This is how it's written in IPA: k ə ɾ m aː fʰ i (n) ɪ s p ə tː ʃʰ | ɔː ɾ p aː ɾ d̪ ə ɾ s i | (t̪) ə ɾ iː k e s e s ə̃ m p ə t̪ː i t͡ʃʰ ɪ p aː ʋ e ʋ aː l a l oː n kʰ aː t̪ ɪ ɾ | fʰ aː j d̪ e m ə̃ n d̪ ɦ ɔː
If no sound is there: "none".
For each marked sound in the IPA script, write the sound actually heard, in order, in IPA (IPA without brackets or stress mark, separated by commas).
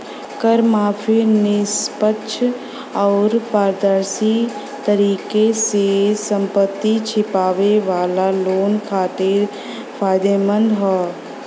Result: n, t̪